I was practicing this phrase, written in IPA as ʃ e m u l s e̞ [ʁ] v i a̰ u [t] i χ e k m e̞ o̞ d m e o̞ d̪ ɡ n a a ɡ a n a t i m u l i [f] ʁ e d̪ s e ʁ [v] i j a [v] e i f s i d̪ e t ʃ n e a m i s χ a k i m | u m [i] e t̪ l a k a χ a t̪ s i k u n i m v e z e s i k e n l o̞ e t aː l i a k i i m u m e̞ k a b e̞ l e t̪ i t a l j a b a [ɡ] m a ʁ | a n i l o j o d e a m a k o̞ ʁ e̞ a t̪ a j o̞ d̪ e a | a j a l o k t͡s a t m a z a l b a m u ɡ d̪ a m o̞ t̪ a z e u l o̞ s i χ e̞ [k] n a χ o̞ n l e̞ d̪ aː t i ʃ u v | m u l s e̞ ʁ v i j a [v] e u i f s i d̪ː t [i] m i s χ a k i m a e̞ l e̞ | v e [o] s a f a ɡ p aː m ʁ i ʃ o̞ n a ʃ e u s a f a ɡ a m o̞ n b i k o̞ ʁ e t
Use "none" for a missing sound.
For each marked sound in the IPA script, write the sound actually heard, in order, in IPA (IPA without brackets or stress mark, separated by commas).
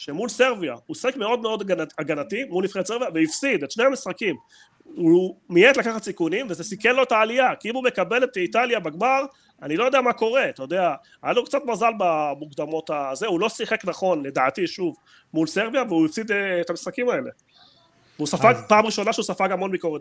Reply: ʁ, s, f, v, v, i, ɡ, k, v, a, u